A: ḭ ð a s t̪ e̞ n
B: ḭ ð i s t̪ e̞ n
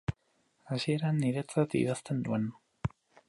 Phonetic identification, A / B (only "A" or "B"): A